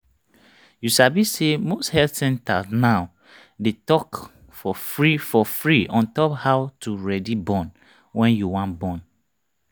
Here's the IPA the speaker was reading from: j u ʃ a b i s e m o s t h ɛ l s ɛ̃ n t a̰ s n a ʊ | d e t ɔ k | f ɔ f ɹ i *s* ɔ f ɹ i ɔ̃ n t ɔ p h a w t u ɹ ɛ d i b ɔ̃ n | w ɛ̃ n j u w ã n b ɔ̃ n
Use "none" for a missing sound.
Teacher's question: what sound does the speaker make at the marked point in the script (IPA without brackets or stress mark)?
f